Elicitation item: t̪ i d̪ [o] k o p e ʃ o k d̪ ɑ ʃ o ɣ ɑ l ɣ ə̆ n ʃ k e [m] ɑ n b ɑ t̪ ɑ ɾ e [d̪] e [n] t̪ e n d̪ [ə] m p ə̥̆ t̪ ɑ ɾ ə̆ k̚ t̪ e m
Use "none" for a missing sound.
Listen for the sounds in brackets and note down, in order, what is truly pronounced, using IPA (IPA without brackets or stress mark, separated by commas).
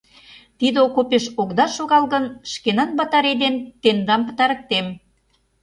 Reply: o, n, d̪, n, ɑ